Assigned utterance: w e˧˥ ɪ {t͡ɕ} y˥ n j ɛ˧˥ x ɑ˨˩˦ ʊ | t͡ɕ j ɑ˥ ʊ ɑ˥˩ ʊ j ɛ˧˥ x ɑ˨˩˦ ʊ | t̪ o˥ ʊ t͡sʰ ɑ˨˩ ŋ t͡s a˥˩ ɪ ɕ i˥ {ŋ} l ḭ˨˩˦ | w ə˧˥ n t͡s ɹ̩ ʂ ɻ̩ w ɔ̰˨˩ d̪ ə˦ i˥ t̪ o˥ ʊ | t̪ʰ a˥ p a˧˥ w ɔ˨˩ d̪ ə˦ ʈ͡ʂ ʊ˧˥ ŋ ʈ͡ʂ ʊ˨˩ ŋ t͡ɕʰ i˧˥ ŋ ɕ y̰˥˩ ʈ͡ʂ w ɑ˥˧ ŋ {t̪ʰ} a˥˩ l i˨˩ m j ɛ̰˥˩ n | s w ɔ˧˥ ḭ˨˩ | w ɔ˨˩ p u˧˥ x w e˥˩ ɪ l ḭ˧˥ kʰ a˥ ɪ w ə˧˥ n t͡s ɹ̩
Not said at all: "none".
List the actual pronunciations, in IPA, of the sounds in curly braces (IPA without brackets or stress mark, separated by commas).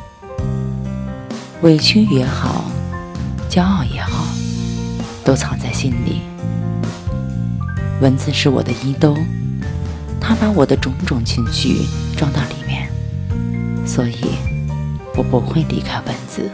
t͡ɕʰ, n, t̪